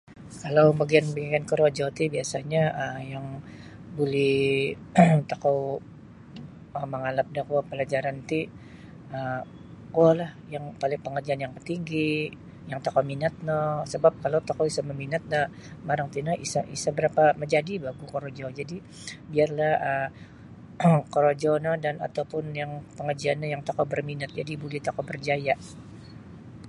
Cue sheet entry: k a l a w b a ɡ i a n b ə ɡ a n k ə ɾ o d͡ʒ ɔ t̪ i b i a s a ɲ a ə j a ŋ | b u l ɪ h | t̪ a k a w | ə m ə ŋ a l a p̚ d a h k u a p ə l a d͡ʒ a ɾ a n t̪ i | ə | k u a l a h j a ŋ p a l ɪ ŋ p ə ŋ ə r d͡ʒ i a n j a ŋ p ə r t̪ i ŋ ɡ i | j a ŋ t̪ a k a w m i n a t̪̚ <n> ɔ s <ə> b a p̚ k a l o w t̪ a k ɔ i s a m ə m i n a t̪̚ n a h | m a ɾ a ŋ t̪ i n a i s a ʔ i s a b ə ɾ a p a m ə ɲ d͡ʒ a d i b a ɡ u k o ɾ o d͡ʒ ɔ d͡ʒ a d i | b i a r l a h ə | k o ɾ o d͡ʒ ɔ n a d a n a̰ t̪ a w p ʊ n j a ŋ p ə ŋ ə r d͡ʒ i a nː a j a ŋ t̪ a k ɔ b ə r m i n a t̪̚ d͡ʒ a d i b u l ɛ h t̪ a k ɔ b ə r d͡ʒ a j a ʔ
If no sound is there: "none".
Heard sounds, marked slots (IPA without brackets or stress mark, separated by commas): n, ə